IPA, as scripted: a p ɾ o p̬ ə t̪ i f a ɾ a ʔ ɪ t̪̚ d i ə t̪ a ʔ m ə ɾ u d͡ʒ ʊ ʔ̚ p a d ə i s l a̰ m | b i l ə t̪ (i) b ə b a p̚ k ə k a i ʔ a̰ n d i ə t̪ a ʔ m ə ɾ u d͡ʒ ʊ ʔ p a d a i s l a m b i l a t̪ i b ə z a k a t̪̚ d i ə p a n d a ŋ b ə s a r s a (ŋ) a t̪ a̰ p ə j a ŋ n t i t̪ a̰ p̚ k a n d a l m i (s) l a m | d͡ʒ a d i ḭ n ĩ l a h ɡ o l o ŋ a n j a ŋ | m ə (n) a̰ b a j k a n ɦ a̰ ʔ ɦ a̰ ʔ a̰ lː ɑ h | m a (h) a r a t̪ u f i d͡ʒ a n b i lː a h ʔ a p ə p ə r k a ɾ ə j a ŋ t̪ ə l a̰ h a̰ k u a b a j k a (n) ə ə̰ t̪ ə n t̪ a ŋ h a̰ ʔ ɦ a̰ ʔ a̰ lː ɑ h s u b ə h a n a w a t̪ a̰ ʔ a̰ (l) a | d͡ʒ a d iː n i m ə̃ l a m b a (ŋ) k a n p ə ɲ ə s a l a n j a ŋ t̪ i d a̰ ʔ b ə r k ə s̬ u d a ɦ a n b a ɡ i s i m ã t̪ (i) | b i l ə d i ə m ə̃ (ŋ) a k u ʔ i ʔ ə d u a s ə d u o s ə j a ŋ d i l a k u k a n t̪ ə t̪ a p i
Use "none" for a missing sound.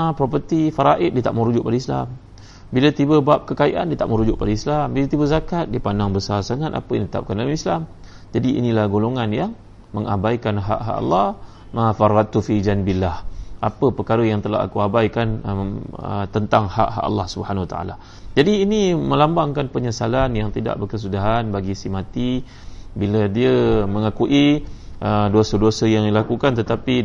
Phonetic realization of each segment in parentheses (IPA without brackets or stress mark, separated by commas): i, ŋ, s, ŋ, f, n, l, ŋ, i, ŋ